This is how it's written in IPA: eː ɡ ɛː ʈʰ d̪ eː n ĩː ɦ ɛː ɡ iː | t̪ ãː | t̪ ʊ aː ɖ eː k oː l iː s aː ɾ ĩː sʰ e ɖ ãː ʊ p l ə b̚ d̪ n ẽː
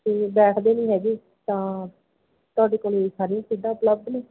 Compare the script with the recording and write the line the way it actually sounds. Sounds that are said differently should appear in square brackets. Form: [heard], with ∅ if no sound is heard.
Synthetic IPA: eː [b] ɛː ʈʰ d̪ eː n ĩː ɦ ɛː ɡ iː | t̪ ãː | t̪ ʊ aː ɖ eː k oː l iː s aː ɾ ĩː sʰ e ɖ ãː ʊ p l ə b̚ d̪ n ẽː